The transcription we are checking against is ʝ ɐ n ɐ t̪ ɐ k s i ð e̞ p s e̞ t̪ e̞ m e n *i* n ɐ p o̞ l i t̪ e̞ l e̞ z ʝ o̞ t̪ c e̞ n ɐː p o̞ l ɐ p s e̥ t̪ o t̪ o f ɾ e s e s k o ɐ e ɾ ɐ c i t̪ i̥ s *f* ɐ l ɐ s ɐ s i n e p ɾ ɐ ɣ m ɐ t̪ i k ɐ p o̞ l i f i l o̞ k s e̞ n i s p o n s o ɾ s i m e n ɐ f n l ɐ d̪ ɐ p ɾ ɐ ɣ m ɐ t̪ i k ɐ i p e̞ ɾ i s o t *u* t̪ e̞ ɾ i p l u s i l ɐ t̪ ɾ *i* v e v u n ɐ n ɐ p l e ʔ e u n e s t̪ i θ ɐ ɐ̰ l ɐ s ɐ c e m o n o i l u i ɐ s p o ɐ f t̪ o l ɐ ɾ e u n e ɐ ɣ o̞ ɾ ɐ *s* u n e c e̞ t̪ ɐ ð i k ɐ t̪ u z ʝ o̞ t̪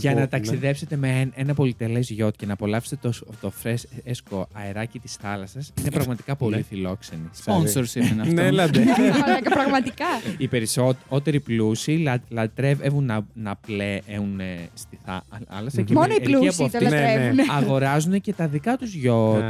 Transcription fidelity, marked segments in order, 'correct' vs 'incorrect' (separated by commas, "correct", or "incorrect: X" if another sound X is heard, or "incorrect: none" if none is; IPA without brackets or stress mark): incorrect: e, incorrect: θ, incorrect: o, incorrect: e, incorrect: z